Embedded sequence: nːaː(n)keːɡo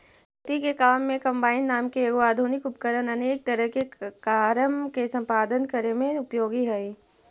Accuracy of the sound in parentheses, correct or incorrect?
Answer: incorrect: m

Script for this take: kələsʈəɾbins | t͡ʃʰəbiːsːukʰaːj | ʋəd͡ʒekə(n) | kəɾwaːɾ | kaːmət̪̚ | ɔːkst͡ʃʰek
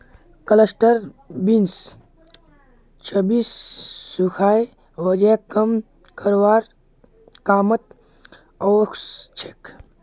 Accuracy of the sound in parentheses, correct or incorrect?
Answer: incorrect: m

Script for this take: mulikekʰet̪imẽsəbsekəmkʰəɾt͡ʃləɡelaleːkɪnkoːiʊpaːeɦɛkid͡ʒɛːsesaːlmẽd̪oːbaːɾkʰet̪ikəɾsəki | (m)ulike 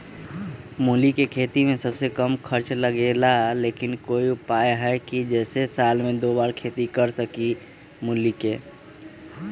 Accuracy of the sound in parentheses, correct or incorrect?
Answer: correct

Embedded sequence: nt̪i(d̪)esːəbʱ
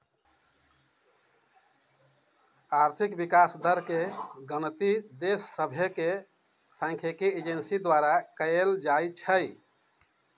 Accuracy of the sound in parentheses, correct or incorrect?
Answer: correct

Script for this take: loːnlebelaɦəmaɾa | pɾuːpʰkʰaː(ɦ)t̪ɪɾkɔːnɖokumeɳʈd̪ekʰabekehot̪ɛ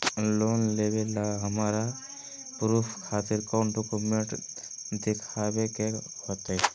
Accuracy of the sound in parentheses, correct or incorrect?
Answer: incorrect: none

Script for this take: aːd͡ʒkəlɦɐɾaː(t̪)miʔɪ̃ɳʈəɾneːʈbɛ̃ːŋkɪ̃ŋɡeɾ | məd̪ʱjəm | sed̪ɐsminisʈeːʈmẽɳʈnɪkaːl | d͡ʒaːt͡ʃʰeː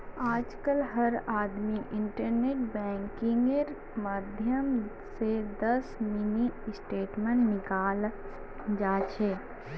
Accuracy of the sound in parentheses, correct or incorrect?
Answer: incorrect: d̪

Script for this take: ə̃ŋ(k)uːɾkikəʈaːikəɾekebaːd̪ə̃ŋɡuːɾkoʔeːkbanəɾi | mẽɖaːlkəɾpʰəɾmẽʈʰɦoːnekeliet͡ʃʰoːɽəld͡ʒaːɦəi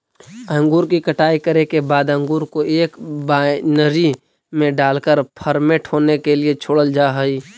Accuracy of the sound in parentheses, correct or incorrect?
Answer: incorrect: ɡ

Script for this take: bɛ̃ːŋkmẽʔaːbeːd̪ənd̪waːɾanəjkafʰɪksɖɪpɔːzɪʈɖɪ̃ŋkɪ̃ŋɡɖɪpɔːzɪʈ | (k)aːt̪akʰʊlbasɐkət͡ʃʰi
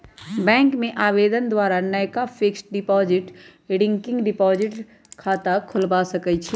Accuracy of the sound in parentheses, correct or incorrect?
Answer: incorrect: kʰ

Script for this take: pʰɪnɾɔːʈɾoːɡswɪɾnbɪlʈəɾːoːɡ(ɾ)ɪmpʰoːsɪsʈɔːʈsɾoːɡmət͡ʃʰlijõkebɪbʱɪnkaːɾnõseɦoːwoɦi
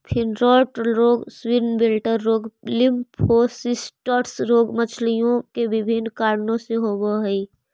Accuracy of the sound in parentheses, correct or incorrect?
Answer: incorrect: l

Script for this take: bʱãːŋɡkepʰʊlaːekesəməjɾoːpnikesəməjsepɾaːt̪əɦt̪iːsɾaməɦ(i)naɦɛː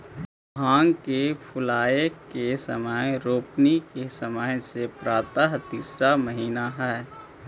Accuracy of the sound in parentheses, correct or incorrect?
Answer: incorrect: iː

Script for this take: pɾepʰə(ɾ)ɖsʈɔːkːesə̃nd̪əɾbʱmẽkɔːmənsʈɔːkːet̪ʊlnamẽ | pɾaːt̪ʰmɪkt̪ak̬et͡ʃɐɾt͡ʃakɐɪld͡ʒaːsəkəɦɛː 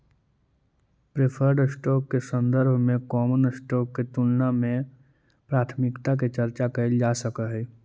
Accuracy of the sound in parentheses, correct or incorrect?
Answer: correct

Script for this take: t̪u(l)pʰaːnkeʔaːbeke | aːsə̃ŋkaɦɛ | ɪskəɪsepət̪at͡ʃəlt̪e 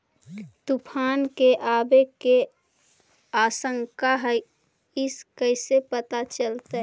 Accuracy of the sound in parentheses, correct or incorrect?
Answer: incorrect: none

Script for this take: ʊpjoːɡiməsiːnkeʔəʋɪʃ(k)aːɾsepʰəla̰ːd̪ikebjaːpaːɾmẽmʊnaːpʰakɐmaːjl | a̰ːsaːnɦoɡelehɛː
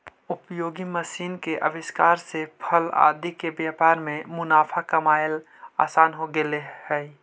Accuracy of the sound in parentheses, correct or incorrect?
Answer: correct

